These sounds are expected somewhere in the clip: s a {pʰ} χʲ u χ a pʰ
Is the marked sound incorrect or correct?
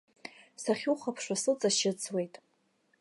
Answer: incorrect: none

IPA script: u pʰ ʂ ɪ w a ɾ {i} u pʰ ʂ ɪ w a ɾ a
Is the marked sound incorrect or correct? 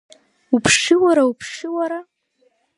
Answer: incorrect: a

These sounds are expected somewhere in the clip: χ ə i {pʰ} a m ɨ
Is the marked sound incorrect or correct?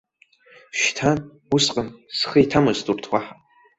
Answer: incorrect: tʰ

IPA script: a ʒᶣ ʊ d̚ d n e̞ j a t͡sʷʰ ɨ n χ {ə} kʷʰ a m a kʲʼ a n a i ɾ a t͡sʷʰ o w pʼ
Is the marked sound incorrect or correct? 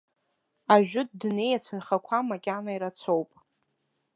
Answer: incorrect: a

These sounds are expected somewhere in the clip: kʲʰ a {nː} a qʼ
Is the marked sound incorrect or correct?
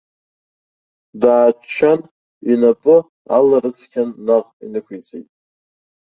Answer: correct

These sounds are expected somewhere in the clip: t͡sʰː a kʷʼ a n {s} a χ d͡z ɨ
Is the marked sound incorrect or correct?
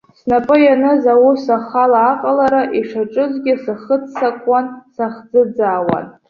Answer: correct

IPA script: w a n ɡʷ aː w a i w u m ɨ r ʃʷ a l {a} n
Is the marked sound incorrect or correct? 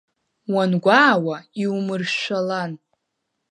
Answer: correct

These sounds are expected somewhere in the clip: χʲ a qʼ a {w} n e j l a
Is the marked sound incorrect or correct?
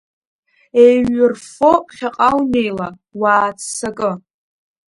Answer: correct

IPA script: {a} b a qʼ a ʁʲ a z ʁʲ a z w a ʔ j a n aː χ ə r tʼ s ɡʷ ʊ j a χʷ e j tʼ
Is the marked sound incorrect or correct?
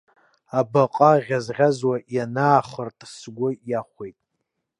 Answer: correct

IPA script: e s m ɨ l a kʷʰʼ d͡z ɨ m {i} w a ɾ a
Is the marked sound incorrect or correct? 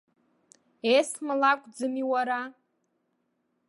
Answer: correct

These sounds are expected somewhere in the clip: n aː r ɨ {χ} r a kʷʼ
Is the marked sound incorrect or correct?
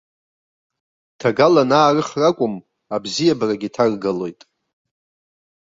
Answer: correct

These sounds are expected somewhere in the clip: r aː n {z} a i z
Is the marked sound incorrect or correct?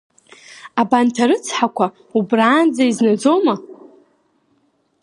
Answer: incorrect: d͡z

